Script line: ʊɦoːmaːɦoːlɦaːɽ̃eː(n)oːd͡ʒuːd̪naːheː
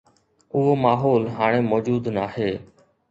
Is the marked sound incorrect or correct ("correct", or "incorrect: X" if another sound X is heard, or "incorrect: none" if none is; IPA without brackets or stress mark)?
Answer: incorrect: m